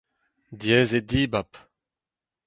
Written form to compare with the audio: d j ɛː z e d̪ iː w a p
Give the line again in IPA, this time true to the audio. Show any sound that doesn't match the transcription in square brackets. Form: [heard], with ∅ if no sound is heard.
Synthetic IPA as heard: d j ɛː z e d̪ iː [b] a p